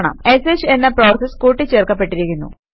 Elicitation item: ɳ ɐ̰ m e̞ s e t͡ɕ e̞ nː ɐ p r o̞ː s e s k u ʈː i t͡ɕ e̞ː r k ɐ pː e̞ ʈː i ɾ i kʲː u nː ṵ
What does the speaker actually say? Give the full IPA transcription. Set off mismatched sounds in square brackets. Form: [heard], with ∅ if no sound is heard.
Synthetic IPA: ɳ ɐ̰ m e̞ s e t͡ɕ e̞ nː ɐ p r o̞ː s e s k [uː] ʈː i t͡ɕ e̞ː r k ɐ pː e̞ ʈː i ɾ i kʲː u nː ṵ